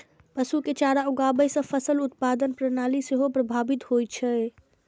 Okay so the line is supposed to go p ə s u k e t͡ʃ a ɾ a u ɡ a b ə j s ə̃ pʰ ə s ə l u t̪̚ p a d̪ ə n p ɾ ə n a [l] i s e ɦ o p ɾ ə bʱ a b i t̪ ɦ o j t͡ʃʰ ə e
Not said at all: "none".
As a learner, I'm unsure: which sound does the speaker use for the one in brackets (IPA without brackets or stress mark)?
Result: l